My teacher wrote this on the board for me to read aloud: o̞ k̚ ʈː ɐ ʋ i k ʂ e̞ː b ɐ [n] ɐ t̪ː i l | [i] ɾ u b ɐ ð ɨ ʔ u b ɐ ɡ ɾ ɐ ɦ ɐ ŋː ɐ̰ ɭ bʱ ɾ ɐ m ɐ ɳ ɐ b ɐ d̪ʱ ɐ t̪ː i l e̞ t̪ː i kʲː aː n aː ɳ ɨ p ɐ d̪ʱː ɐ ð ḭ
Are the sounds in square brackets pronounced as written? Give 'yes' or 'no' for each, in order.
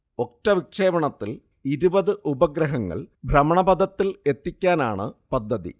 no, yes

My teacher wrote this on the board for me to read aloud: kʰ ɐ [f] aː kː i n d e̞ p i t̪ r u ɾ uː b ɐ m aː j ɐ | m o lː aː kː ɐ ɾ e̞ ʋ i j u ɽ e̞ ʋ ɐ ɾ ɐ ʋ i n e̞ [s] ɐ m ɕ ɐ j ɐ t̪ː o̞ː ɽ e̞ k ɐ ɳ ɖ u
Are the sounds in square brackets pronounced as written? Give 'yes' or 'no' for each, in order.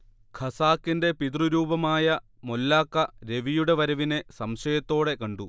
no, yes

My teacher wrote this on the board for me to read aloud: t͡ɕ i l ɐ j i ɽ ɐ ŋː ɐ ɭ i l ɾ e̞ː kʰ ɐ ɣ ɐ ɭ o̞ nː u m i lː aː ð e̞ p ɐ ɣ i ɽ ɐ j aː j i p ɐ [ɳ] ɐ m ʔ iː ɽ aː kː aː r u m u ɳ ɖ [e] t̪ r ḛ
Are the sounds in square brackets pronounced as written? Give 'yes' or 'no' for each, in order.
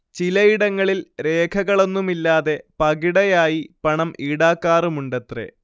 yes, yes

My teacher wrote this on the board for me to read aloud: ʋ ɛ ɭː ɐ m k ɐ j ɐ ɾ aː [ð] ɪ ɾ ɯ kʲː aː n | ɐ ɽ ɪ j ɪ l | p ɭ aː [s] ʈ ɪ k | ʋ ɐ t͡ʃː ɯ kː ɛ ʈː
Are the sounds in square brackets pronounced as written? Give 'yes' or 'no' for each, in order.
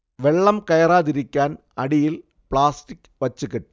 yes, yes

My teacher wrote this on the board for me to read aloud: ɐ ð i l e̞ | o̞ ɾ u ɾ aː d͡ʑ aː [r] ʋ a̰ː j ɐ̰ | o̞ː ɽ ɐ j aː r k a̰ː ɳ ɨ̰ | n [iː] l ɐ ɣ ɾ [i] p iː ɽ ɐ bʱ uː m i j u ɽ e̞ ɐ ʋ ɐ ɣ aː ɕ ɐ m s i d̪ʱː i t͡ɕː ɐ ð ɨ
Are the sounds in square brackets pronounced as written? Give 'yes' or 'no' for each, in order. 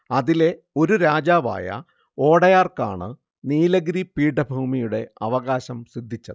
no, yes, yes

